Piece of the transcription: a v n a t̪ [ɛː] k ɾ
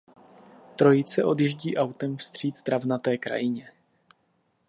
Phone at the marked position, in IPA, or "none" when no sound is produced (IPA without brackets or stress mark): ɛː